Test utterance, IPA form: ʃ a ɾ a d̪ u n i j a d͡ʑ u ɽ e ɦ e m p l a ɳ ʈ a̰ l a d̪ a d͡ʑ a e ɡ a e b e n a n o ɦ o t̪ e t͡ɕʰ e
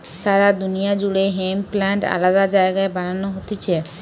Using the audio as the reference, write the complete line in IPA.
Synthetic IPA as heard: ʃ a ɾ a d̪ u n i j a d͡ʑ u ɽ e ɦ e m p l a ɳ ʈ a̰ l a d̪ a d͡ʑ a e ɡ a e b a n a n o ɦ o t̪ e t͡ɕʰ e

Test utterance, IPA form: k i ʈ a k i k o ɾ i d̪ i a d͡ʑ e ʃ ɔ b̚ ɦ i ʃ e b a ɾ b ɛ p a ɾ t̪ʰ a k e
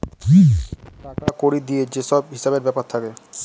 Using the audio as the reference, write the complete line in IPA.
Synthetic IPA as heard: k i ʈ a k a k o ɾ i d̪ i e d͡ʑ e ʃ ɔ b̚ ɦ i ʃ a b e ɾ b ɛ p a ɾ t̪ʰ a k e

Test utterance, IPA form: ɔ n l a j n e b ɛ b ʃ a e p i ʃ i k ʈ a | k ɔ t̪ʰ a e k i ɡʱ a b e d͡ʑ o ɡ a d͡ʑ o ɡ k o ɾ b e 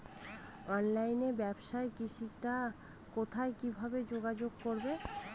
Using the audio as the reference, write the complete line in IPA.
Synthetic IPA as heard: ɔ n l a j n e b ɛ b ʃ a e k i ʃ i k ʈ a | k o t̪ʰ a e k i bʱ a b e d͡ʑ o ɡ a d͡ʑ o ɡ k o ɾ b e

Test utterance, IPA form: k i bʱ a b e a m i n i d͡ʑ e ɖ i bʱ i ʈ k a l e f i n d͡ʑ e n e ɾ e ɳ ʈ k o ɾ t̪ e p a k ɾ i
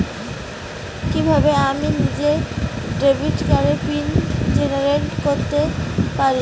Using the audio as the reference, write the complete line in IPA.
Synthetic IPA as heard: k i bʱ a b e a m i n i d͡ʑ e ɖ e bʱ i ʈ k a ɾ e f i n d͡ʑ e n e ɾ e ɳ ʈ k o ɾ t̪ e p a ɾ i

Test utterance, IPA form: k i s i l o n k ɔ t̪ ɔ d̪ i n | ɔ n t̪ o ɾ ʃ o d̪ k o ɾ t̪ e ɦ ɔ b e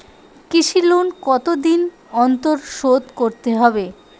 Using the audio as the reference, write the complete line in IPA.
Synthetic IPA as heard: k i ʃ i l o n k ɔ t̪ o d̪ i n | ɔ n t̪ o ɾ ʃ o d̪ k o ɾ t̪ e ɦ ɔ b e

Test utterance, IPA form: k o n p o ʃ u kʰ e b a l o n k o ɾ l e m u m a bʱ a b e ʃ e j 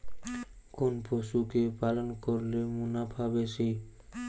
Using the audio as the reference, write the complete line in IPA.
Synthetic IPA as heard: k o n p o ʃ u k e p a l o n k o ɾ l e m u n a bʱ a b e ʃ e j

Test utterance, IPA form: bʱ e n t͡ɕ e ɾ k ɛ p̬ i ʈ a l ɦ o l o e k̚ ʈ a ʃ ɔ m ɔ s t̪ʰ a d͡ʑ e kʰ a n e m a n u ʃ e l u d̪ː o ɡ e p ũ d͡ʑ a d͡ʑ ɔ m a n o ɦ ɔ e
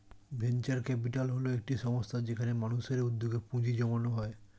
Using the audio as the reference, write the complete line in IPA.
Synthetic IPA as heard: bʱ e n t͡ɕ a ɾ k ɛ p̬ i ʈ a l ɦ o l o e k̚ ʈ i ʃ ɔ m o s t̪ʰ a d͡ʑ e kʰ a n e m a n u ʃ e ɾ u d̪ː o ɡ e p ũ d͡ʑ i d͡ʑ ɔ m a n o ɦ ɔ e

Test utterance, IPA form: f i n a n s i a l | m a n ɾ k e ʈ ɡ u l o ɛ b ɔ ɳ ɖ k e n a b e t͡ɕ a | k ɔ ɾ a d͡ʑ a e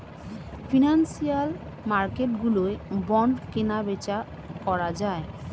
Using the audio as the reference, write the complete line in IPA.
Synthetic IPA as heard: f i n a n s i a l | m a ɾ k e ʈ ɡ u l o e b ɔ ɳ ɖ k e n a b e t͡ɕ a | k ɔ ɾ a d͡ʑ a e

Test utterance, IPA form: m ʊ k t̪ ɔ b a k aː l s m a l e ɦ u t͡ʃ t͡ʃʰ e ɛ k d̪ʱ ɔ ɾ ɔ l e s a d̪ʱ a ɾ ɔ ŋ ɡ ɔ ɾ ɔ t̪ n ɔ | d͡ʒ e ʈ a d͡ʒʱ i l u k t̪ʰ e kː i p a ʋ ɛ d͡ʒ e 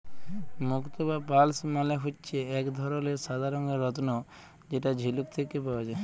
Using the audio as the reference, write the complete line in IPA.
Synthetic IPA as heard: m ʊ k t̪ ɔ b a p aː l s m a l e ɦ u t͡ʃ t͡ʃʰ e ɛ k d̪ʱ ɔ ɾ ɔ l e s a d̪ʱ a ɾ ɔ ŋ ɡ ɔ ɾ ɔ t̪ n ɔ | d͡ʒ e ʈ a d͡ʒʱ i l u k t̪ʰ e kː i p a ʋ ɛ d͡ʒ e

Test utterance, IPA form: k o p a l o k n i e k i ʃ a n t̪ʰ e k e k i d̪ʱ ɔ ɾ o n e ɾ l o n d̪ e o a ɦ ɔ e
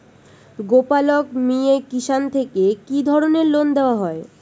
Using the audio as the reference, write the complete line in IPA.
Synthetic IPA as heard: ɡ o p a l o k m i e k i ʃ a n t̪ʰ e k e k i d̪ʱ ɔ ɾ o n e ɾ l o n d̪ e o a ɦ ɔ e

